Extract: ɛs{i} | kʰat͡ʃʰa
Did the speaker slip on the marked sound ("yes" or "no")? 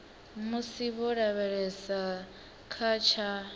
yes